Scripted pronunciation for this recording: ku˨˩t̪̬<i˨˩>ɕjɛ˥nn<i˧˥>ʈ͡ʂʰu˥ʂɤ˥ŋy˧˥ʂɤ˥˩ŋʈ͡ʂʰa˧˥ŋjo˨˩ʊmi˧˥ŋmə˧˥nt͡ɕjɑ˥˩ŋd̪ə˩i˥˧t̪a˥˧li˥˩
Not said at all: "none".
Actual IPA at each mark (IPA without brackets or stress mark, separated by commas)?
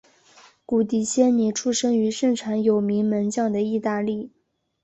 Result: i˨˩, i˨˩